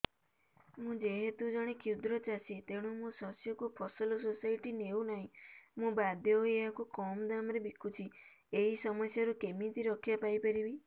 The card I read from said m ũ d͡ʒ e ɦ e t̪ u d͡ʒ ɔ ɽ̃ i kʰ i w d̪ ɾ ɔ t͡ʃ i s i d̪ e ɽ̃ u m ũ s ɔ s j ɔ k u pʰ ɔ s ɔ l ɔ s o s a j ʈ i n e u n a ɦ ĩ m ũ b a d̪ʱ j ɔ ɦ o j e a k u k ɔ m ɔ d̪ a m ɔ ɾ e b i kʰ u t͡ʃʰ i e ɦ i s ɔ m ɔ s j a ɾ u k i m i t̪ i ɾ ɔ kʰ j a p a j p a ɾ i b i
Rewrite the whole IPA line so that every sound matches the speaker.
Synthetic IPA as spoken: m ũ d͡ʒ e ɦ e t̪ u d͡ʒ ɔ ɽ̃ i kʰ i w d̪ ɾ ɔ t͡ʃ a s i t̪ e ɽ̃ u m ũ s ɔ s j ɔ k u pʰ ɔ s ɔ l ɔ s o s a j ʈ i n e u n a ɦ ĩ m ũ b a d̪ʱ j ɔ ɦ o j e a k u k ɔ m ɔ d̪ a m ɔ ɾ e b i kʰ u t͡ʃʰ i e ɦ i s ɔ m ɔ s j a ɾ u k e m i t̪ i ɾ ɔ kʰ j a p a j p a ɾ i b i

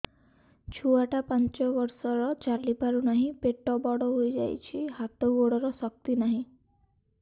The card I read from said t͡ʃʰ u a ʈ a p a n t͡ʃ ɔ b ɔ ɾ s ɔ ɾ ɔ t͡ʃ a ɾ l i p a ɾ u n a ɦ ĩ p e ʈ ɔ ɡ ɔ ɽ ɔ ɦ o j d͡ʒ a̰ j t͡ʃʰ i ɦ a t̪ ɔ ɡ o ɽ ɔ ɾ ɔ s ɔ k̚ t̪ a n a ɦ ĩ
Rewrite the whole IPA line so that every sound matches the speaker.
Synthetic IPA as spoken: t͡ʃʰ u a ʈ a p a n t͡ʃ ɔ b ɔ ɾ s ɔ ɾ ɔ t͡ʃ a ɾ l i p a ɾ u n a ɦ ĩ p e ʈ ɔ b ɔ ɽ ɔ ɦ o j d͡ʒ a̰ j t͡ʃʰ i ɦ a t̪ ɔ ɡ o ɽ ɔ ɾ ɔ s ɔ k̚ t̪ i n a ɦ ĩ

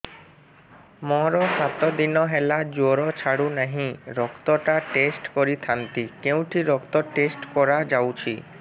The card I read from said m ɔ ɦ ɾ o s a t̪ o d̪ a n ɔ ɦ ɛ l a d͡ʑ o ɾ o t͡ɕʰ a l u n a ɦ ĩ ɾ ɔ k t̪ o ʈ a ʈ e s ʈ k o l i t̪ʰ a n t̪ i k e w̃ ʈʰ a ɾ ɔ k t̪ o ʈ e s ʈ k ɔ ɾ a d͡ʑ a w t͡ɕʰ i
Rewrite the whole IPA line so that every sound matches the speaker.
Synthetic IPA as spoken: m ɔ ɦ ɾ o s a t̪ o d̪ i n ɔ ɦ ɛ l a d͡ʑ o ɾ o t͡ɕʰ a ɽ u n a ɦ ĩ ɾ ɔ k t̪ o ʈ a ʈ e s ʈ k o ɾ i t̪ʰ a n t̪ i k e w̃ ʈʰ i ɾ ɔ k t̪ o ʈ e s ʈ k ɔ ɾ a d͡ʑ a w t͡ɕʰ i

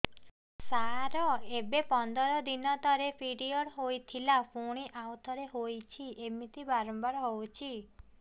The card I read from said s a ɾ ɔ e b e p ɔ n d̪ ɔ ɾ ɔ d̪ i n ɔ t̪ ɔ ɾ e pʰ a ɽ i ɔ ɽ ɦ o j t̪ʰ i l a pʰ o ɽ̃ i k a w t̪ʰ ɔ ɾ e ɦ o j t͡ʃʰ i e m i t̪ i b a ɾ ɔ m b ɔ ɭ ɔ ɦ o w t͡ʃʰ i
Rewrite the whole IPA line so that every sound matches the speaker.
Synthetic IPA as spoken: s a ɾ ɔ e b e p ɔ n d̪ ɔ ɾ ɔ d̪ i n ɔ t̪ ɔ ɾ e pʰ i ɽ i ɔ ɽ ɦ o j t̪ʰ i l a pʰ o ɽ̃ i ʔ a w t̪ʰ ɔ ɾ e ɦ o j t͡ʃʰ i e m i t̪ i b a ɾ ɔ m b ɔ ɾ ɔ ɦ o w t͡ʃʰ i

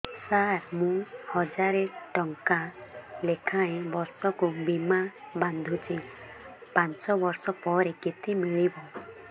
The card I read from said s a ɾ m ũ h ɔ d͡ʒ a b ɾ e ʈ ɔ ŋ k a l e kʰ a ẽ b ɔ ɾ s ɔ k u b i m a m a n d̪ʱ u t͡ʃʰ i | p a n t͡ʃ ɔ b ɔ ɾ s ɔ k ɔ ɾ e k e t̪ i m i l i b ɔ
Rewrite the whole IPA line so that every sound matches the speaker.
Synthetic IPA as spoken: s a ɾ m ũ h ɔ d͡ʒ a ɾ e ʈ ɔ ŋ k a l e kʰ a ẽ b ɔ ɾ s ɔ k u b i m a b a n d̪ʱ u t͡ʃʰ i | p a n t͡ʃ ɔ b ɔ ɾ s ɔ p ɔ ɾ e k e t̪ i m i ɭ i b ɔ

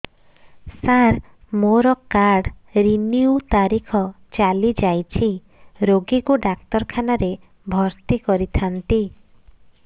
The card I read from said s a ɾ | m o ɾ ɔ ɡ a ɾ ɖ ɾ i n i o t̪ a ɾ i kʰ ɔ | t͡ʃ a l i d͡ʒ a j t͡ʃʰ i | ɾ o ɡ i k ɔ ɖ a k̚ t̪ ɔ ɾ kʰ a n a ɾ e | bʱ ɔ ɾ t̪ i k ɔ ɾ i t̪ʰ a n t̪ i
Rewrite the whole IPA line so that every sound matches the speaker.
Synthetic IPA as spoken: s a ɾ | m o ɾ ɔ k a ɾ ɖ ɾ i n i u t̪ a ɾ i kʰ ɔ | t͡ʃ a l i d͡ʒ a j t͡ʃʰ i | ɾ o ɡ i k u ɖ a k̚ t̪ ɔ ɾ kʰ a n a ɾ e | bʱ ɔ ɾ t̪ i k ɔ ɾ i t̪ʰ a n t̪ i

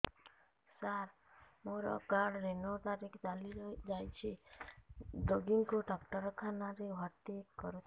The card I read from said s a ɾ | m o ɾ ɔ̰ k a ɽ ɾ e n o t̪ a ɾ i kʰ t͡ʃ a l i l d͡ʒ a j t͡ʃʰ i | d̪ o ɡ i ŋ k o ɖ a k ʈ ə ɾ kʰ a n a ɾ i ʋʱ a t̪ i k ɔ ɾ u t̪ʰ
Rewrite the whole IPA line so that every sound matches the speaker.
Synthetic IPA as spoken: s a ɾ | m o ɾ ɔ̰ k a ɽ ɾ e n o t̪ a ɾ i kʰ t͡ʃ a l i ɾ d͡ʒ a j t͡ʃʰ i | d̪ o ɡ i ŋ k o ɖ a k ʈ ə ɾ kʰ a n a ɾ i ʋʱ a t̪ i k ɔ ɾ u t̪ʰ

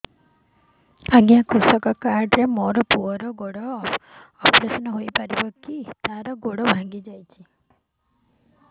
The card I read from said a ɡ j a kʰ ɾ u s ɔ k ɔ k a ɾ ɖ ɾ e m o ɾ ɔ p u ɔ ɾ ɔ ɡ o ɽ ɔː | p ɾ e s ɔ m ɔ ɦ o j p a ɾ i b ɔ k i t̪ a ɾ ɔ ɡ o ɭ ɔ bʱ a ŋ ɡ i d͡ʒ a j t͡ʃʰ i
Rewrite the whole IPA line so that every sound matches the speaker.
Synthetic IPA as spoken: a ɡ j a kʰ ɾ u s ɔ k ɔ k a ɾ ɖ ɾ e m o ɾ ɔ p u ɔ ɾ ɔ ɡ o ɽ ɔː | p ɾ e s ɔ n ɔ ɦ o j p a ɾ i b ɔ k i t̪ a ɾ ɔ ɡ o ɽ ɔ bʱ a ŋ ɡ i d͡ʒ a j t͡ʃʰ i

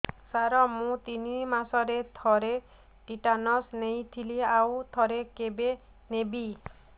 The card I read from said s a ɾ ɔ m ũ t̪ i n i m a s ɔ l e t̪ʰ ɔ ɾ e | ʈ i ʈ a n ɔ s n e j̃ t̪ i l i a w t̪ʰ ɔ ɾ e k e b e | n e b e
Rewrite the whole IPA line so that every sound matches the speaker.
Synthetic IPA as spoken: s a ɾ ɔ m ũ t̪ i n i m a s ɔ ɾ e t̪ʰ ɔ ɾ e | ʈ i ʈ a n ɔ s n e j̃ t̪ʰ i l i a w t̪ʰ ɔ ɾ e k e b e | n e b i

